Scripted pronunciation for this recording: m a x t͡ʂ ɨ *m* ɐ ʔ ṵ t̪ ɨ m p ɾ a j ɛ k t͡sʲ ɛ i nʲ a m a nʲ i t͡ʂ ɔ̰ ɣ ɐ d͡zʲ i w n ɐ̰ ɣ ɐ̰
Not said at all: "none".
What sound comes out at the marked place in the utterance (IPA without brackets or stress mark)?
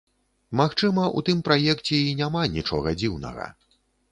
m